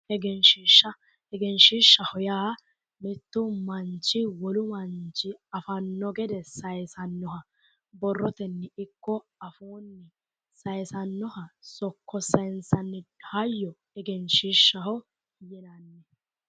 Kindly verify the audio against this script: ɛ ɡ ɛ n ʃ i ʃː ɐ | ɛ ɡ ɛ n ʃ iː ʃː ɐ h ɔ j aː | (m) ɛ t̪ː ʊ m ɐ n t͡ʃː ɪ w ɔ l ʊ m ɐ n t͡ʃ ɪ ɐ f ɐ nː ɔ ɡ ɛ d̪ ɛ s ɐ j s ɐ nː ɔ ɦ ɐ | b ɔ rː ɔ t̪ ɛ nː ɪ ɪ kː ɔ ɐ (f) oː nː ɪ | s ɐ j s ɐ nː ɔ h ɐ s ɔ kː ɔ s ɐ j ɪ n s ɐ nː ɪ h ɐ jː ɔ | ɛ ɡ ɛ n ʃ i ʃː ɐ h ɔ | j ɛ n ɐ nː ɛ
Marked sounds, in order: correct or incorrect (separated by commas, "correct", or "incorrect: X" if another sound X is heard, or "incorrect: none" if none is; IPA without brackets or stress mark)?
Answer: correct, correct